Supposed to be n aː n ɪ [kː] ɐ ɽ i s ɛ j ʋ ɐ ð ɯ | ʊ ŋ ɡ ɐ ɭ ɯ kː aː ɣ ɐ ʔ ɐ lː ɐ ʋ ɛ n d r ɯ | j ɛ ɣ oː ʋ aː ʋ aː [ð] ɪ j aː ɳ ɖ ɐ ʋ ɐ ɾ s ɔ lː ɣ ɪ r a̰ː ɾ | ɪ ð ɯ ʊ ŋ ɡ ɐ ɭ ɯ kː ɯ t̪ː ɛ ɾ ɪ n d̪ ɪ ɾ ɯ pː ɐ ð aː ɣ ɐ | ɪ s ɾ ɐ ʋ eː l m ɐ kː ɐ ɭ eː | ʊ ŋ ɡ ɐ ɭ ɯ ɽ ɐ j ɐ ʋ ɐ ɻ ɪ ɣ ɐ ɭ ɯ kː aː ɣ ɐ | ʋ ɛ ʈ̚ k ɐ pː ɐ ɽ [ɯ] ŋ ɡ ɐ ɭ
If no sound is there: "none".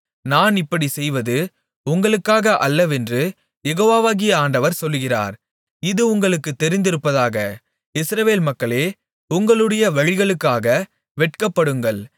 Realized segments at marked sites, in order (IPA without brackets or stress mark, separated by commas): pː, ɣ, ɯ